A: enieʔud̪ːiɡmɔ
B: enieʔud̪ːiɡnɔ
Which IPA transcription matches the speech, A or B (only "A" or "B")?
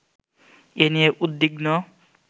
B